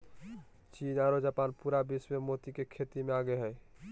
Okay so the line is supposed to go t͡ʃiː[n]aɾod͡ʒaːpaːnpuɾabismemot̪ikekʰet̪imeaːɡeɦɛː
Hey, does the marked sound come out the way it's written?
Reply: yes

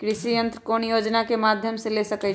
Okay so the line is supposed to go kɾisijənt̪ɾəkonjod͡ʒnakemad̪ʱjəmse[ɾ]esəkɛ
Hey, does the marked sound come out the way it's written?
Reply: no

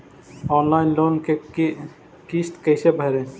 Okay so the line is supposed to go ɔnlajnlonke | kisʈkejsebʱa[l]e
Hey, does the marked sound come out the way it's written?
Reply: no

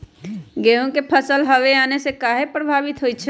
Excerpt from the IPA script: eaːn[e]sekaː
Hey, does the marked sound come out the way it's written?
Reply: yes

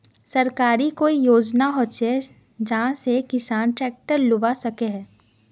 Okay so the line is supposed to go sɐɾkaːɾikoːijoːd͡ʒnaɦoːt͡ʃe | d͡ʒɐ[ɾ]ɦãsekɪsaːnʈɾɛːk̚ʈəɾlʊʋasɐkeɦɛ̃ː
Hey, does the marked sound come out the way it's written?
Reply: no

